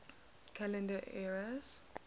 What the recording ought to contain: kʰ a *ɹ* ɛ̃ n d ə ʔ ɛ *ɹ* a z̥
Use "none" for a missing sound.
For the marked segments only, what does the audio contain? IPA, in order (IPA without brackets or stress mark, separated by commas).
l, ɹ